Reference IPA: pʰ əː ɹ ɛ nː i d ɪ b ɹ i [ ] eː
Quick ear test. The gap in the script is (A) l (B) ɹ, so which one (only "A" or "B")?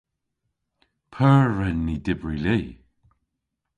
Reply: A